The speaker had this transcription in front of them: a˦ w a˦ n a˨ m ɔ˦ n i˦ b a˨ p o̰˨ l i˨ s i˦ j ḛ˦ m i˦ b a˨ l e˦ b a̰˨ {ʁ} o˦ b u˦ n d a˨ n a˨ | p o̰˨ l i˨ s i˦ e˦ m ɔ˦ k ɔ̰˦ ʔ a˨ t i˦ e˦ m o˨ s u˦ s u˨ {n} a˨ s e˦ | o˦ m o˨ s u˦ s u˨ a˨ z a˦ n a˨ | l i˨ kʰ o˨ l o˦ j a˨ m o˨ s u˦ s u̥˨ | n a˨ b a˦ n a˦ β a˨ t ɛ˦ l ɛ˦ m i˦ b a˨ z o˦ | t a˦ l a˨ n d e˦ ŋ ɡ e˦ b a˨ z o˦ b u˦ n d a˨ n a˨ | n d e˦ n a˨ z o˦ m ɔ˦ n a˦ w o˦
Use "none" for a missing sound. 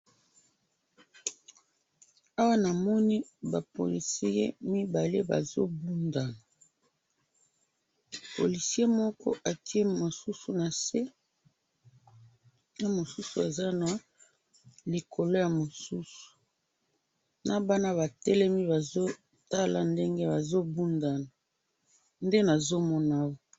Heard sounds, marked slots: z, n

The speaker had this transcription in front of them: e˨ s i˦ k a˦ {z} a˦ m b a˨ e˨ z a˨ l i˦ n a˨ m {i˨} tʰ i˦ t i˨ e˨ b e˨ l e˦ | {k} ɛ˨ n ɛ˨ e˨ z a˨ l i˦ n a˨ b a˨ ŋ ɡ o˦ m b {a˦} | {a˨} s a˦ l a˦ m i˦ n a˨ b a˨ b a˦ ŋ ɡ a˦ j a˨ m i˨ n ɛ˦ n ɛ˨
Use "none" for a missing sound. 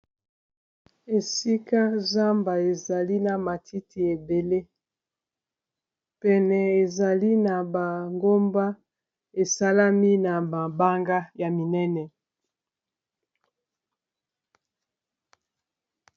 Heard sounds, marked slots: z, a˨, p, a˦, e˨

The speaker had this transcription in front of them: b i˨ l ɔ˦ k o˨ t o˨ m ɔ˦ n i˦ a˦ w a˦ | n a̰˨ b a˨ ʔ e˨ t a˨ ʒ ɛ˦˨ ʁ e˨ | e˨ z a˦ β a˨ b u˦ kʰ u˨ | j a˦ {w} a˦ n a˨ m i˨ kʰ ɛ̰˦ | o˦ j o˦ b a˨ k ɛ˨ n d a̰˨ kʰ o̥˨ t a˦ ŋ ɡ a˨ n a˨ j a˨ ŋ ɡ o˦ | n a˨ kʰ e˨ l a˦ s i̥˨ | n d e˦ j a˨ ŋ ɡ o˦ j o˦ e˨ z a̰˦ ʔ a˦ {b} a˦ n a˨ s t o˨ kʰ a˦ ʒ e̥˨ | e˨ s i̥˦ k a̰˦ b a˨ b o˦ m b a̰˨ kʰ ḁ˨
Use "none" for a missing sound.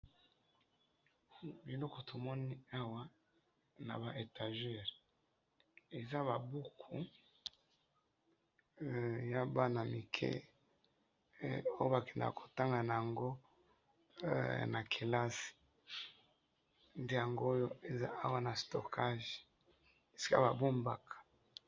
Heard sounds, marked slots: b, w

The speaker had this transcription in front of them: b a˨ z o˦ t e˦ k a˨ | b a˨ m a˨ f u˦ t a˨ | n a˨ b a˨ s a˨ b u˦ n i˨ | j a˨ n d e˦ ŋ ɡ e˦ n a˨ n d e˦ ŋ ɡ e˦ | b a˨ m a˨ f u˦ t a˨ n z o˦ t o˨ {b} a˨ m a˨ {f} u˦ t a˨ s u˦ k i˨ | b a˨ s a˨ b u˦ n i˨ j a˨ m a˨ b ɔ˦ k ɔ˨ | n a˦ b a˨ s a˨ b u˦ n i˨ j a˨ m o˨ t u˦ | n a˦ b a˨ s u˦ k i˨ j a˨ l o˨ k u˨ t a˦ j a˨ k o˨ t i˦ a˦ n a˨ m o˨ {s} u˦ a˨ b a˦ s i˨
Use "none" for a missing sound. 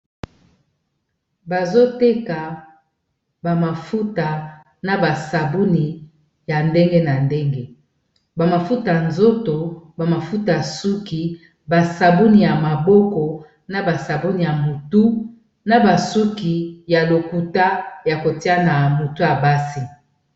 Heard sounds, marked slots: b, f, t

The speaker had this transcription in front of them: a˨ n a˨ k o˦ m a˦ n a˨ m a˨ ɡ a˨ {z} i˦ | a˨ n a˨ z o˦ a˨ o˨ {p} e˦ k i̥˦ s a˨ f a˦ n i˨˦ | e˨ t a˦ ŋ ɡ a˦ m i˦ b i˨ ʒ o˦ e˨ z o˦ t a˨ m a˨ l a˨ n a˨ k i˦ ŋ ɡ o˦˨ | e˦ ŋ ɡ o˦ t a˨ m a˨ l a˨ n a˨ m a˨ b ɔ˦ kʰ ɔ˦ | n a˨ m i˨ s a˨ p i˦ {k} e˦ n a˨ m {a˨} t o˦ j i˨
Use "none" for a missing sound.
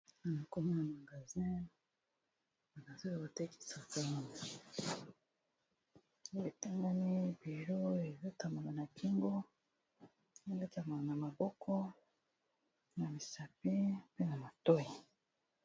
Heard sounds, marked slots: z, t, p, a˨

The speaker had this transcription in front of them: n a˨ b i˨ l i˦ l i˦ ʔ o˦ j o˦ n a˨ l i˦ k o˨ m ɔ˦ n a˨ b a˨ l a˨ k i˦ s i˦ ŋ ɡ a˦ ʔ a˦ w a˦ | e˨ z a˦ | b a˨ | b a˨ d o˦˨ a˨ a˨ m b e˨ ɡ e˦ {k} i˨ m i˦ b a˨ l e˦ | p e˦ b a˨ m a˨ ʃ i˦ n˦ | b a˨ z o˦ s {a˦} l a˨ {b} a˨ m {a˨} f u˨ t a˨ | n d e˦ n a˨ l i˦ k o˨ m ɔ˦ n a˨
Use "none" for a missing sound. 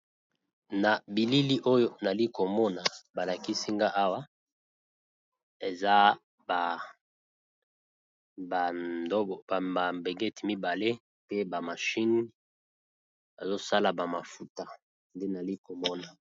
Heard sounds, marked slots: t, a˦, b, a˨

